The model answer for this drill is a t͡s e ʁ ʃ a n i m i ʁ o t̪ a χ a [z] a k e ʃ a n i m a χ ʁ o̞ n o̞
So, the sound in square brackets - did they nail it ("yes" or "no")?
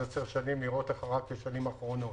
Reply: no